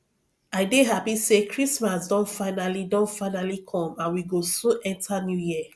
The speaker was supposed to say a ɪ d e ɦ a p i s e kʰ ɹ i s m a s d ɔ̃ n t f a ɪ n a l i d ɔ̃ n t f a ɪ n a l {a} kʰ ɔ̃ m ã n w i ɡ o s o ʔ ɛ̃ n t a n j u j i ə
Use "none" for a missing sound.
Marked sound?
i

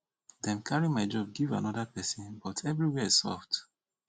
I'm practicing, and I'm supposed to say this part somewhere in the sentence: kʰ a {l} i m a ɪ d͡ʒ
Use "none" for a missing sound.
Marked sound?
ɹ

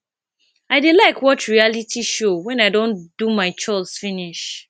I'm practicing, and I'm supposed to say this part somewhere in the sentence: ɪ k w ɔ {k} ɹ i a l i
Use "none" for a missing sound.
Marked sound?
t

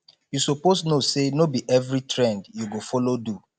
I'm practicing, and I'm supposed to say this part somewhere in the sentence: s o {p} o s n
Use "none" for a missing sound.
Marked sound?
p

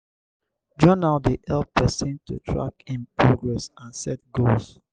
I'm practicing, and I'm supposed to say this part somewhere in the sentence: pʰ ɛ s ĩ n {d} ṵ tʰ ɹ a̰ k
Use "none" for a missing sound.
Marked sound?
t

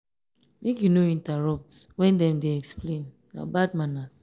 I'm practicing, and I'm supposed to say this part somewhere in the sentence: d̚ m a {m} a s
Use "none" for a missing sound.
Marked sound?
n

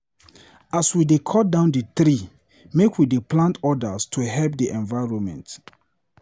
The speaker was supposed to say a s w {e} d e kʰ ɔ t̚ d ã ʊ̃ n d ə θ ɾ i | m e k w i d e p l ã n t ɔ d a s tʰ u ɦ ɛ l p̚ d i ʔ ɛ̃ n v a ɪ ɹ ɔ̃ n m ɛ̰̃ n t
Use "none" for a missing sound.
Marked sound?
i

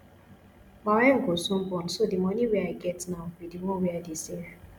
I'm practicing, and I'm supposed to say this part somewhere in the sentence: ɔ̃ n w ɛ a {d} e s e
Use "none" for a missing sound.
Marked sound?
d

